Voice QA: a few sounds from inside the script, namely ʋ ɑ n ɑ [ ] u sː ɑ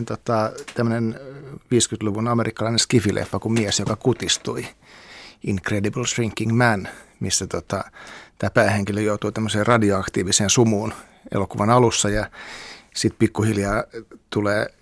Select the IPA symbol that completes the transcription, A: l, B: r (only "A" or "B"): A